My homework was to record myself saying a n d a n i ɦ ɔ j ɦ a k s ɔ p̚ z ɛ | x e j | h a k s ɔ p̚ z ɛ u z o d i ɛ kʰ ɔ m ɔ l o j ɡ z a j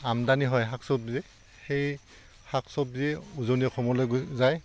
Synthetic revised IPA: a m d a n i ɦ ɔ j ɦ a k s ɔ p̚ z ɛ | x e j | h a k s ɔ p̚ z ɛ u z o n i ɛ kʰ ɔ m ɔ l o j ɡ z a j